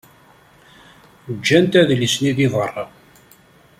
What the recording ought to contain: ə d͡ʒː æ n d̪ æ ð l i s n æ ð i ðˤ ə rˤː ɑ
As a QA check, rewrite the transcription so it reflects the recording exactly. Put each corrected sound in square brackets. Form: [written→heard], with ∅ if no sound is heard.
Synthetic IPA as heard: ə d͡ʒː æ n [d̪→t̪] æ ð l i s n [æ→i] ð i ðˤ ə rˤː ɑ